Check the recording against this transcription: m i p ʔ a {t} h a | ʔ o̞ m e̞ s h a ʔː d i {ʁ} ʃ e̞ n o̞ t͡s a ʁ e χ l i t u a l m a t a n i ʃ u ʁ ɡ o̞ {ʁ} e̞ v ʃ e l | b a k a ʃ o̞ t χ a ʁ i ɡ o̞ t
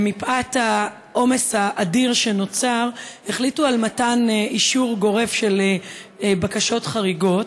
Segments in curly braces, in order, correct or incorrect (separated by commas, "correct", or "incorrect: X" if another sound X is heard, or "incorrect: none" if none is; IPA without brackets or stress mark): correct, correct, correct